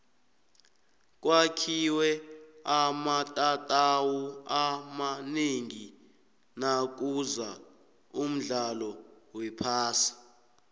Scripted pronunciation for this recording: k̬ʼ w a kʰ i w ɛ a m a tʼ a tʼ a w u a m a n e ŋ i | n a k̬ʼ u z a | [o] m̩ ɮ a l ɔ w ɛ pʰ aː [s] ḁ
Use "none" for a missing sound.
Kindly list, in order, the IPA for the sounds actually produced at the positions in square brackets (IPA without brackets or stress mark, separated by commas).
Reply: u, s